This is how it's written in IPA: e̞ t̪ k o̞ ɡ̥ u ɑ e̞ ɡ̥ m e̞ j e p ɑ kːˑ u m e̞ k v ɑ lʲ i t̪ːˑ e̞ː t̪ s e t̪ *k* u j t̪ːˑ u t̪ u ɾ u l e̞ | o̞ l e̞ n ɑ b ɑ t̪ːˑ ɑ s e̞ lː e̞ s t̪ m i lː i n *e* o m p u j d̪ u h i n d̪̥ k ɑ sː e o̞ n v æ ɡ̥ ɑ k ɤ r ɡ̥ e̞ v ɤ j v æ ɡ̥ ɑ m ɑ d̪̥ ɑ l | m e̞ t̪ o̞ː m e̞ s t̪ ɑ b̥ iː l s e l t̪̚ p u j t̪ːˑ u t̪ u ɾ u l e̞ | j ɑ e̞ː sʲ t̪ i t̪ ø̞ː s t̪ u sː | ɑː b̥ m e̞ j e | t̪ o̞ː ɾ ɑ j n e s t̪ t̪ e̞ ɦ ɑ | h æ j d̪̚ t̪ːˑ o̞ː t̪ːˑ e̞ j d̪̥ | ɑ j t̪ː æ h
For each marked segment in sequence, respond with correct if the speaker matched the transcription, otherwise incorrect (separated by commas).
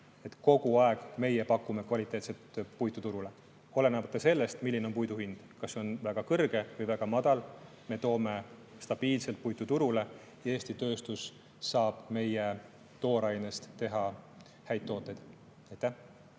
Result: incorrect, correct